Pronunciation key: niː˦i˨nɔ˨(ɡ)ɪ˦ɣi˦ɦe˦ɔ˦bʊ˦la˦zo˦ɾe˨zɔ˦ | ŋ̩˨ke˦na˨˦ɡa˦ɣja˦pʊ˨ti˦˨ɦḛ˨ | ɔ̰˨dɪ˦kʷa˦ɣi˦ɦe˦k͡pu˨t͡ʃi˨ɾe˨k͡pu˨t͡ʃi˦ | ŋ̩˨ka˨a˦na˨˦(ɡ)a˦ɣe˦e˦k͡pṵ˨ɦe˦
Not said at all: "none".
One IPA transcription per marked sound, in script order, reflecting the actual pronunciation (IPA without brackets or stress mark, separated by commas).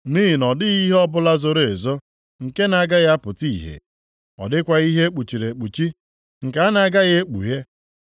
d, ɡ